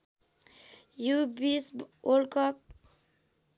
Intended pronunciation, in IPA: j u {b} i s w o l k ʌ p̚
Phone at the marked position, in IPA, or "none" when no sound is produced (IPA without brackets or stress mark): b